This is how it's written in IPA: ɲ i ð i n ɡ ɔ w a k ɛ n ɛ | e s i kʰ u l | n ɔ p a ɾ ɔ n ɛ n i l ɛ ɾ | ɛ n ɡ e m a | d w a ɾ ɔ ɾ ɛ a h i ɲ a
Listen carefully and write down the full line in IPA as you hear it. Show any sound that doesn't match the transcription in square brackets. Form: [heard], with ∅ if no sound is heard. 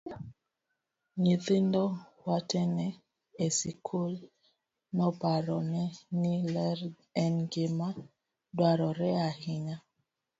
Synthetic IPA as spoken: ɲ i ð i n [d] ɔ w a [t] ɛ n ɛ | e s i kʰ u l | n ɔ p a ɾ ɔ n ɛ n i l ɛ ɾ | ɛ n ɡ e m a | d w a ɾ ɔ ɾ ɛ a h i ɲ a